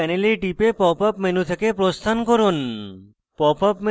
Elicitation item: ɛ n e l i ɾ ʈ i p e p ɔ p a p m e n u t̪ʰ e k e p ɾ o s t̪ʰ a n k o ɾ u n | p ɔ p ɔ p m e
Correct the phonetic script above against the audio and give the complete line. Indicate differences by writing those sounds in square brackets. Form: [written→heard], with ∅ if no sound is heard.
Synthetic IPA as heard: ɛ n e l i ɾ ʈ i p e p ɔ p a p m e n u t̪ʰ e k e p ɾ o s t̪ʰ a n k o ɾ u n | p ɔ p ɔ p m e